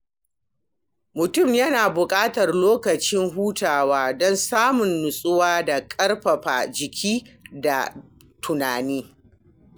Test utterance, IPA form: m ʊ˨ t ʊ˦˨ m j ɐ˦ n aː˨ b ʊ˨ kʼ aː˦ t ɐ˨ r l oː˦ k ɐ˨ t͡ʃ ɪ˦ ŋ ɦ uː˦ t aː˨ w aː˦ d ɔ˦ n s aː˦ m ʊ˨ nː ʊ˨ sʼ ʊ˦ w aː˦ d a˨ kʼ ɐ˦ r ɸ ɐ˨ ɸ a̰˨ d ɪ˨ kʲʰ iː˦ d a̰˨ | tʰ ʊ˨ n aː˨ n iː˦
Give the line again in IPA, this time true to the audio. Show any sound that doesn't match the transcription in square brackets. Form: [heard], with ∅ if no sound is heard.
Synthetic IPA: m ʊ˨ t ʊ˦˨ m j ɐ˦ n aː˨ b ʊ˨ kʼ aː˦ t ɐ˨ r l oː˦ k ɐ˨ t͡ʃ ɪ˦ ŋ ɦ uː˦ t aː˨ w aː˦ d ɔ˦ n s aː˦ m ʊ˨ nː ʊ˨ sʼ ʊ˦ w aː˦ d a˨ kʼ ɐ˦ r ɸ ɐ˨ ɸ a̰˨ [d͡ʒ] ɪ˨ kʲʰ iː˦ d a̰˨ | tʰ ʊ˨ n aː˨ n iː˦